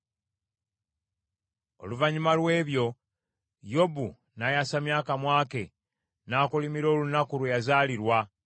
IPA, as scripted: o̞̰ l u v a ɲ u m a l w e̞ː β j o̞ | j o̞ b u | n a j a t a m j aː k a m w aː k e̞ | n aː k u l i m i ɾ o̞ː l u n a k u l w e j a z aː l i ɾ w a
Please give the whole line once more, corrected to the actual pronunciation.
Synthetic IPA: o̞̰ l u v a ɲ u m a l w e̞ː β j o̞ | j o̞ b u | n a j a s a m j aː k a m w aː k e̞ | n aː k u l i m i ɾ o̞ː l u n a k u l w e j a z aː l i ɾ w a